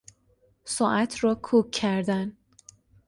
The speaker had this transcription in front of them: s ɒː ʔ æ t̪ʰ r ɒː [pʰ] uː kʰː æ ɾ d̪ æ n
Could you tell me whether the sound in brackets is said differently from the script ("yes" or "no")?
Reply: yes